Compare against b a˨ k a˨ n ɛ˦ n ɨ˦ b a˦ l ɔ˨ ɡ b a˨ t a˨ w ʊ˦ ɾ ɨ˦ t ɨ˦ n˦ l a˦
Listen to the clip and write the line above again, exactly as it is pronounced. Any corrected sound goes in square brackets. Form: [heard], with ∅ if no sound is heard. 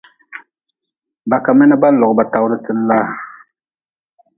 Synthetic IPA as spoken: b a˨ k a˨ [m] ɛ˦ n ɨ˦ b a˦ l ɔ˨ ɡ b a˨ t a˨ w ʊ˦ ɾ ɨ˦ t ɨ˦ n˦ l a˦